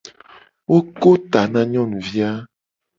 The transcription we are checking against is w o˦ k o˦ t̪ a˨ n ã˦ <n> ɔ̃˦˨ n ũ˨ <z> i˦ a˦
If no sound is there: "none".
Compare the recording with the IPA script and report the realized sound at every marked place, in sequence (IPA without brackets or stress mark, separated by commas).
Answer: ɲ, v